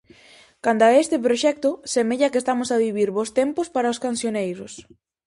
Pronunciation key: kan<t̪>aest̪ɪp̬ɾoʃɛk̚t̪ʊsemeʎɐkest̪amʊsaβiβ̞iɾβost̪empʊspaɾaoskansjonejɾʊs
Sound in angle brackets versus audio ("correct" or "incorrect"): incorrect